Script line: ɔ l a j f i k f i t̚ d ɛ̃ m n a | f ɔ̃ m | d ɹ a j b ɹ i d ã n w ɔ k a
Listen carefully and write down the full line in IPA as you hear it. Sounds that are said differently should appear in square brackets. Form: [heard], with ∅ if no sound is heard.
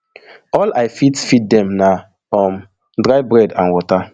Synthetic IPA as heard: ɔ l a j f i [t] f i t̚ d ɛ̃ m n a | f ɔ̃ m | d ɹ a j b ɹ [ɛ] d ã n w ɔ [t] a